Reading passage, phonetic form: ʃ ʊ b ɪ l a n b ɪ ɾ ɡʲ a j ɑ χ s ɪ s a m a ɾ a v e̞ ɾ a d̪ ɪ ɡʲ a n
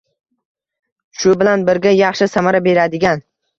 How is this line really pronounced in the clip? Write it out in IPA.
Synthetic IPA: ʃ ʊ b ɪ l a n b ɪ ɾ ɡʲ a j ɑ χ ʃ ɪ s a m a ɾ a b e̞ ɾ a d̪ ɪ ɡʲ a n